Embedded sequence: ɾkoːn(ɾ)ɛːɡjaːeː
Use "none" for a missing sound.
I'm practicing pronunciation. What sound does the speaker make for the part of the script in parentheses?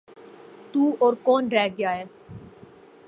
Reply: ɾ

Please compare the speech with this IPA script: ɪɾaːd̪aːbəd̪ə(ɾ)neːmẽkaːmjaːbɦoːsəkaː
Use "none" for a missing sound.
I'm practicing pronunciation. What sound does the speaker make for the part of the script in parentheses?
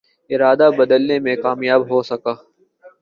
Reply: l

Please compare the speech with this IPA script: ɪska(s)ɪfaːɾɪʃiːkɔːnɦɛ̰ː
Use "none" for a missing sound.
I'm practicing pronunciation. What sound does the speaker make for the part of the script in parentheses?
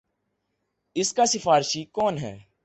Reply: s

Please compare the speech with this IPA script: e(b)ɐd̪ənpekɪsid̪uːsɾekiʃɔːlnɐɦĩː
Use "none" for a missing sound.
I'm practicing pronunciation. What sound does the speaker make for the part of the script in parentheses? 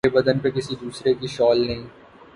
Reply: b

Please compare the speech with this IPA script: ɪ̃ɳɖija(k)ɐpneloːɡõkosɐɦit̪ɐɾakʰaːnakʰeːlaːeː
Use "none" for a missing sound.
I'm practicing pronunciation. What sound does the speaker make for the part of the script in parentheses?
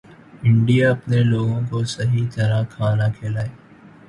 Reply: none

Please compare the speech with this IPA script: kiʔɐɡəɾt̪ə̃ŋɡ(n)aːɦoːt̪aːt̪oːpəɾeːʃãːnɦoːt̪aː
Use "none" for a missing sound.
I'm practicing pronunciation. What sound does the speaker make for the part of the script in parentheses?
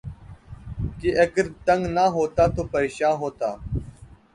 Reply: n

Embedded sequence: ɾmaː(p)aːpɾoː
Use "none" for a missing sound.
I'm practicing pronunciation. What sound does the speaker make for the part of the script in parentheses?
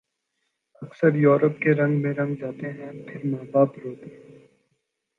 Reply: b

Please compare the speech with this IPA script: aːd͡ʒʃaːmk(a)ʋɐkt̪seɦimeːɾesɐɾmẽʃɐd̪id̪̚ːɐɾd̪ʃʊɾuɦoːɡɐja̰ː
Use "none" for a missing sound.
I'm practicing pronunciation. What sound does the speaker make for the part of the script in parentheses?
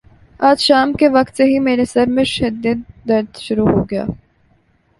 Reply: e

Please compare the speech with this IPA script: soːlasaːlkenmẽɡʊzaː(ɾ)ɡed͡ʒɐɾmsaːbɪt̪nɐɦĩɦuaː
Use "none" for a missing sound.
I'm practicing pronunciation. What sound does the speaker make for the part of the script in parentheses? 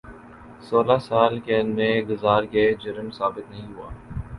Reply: ɾ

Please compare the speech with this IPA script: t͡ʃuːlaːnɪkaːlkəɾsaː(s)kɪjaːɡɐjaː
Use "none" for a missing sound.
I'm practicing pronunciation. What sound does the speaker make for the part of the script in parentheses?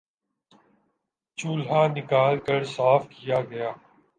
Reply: f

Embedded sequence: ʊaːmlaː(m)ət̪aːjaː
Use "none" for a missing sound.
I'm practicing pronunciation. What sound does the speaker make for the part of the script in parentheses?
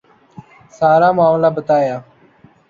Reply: b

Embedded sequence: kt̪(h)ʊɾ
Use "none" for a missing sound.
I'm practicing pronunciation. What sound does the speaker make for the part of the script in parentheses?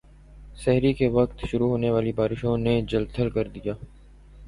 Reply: ʃ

